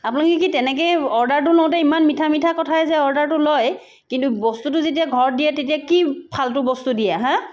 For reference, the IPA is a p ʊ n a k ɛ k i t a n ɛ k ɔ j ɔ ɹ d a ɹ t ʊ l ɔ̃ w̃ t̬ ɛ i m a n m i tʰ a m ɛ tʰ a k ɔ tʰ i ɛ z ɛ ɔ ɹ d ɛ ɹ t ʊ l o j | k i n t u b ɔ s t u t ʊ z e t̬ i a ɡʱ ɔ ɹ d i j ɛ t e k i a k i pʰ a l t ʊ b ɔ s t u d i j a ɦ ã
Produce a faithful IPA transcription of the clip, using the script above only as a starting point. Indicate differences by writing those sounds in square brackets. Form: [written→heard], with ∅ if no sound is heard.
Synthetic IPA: a p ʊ n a k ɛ k i t [a→ɛ] n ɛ k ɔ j ɔ ɹ d a ɹ t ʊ l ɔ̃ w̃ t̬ ɛ i m a n m i tʰ a m [ɛ→i] tʰ a k ɔ tʰ [i→a] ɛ z ɛ ɔ ɹ d [ɛ→a] ɹ t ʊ l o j | k i n t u b ɔ s t u t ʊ z e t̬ i a ɡʱ ɔ ɹ d i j ɛ t e [k→t] i a k i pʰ a l t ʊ b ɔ s t u d i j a ɦ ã

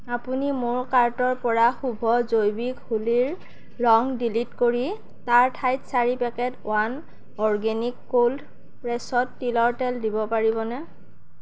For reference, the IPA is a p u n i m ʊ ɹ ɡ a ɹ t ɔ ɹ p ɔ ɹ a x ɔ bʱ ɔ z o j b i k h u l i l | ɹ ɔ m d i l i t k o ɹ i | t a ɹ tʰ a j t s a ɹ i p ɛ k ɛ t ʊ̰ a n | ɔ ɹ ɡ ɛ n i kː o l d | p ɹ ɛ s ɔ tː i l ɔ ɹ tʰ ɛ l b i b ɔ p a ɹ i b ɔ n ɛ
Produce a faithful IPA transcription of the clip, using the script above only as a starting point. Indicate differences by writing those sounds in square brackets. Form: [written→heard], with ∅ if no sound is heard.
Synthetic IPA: a p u n i m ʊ ɹ [ɡ→k] a ɹ t ɔ ɹ p ɔ ɹ a x [ɔ→u] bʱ ɔ z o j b i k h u l i [l→ɹ] | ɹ ɔ [m→ŋ] d i l i t k o ɹ i | t a ɹ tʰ a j t s a ɹ i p ɛ k ɛ t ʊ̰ a n | ɔ ɹ ɡ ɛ n i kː o l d | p ɹ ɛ s ɔ tː i l ɔ ɹ [tʰ→t] ɛ l [b→d] i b ɔ p a ɹ i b ɔ n ɛ

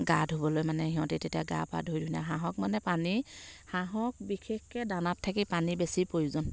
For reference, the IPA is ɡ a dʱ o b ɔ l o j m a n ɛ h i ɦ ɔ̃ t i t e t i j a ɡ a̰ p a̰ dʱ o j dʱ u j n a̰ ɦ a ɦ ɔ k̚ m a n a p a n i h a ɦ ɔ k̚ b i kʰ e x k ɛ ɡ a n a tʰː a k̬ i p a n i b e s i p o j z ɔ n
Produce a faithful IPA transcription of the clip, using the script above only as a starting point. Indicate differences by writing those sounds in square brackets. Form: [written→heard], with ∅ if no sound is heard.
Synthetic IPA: ɡ a dʱ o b ɔ l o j m a n ɛ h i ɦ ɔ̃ t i t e t i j a ɡ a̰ p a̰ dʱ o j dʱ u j n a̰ ɦ a ɦ ɔ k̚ m a n [a→ɛ] p a n i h a ɦ ɔ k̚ b i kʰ e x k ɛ [ɡ→d] a n a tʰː a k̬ i p a n i b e s i p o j z ɔ n

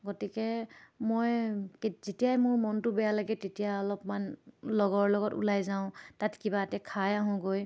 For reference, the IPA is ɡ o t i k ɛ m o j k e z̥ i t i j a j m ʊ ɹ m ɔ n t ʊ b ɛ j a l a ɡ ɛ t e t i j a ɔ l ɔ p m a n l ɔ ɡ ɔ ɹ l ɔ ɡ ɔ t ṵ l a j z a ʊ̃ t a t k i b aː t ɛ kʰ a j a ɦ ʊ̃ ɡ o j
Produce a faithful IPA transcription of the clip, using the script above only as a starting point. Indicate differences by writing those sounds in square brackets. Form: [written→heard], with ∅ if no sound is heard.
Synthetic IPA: ɡ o t i k ɛ m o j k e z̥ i t i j a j m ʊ ɹ m ɔ n t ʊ b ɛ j a l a ɡ ɛ t e t i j a ɔ l ɔ p m a n l ɔ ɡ ɔ ɹ l ɔ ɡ ɔ t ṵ l a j z a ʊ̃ t a t k i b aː t ɛ kʰ a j a ɦ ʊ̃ ɡ o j

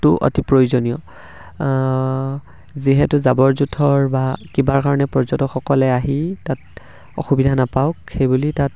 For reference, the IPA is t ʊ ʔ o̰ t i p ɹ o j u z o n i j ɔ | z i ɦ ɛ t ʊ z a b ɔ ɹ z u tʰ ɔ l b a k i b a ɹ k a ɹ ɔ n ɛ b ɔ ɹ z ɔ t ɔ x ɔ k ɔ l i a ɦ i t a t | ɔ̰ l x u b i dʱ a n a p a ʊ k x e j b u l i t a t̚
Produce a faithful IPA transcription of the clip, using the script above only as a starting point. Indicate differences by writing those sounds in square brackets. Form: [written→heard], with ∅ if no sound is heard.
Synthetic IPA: t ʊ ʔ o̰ t i p ɹ o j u z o n i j ɔ | z i ɦ ɛ t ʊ z a b ɔ ɹ z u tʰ ɔ [l→ɹ] b a k i b a ɹ k a ɹ ɔ n ɛ [b→p] ɔ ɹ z ɔ t ɔ x ɔ k ɔ l [i→ɛ] a ɦ i t a t | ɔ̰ [l→∅] x u b i dʱ a n a p a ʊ k x e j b u l i t a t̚

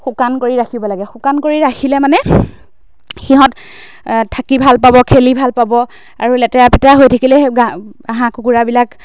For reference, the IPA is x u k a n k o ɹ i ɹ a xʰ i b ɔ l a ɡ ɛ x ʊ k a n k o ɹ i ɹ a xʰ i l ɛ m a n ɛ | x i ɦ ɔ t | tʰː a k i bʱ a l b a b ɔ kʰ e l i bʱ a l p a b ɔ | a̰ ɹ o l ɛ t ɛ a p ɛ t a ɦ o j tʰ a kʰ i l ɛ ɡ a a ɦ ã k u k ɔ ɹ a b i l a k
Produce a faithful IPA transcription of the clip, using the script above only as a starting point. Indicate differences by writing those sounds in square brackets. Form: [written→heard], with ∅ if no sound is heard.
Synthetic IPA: x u k a n k o ɹ i ɹ a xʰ i b ɔ l a ɡ ɛ x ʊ k a n k o ɹ i ɹ a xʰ i l ɛ m a n ɛ | x i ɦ ɔ t | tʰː a k i bʱ a l [b→p] a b ɔ kʰ e l i bʱ a l p a b ɔ | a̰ ɹ [o→u] l ɛ t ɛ a p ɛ t a ɦ o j tʰ a [kʰ→k] i l ɛ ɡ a a ɦ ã k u k [ɔ→u] ɹ a b i l a k

